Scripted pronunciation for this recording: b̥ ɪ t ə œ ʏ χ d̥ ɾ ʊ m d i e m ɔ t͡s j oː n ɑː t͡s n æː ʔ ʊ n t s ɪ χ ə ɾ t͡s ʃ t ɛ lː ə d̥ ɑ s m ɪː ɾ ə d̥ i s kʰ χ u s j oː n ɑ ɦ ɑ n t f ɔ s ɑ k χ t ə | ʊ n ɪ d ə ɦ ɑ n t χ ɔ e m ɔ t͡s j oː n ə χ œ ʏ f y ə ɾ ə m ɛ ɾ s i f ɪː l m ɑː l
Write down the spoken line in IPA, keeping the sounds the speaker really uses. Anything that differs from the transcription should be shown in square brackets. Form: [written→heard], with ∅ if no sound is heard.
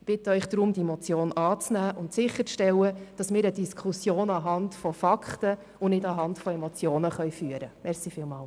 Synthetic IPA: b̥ ɪ t ə œ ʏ χ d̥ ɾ ʊ m d i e m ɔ t͡s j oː n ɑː t͡s n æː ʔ ʊ n t s ɪ χ ə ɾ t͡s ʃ t ɛ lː ə d̥ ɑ s m ɪː ɾ ə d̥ i s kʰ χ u s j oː n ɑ ɦ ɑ n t f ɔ [s→f] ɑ k χ t ə | ʊ n ɪ d [ə→ɑ] ɦ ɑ n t [χ→f] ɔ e m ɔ t͡s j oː n ə χ œ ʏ f y ə ɾ ə m ɛ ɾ s i f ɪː l m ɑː l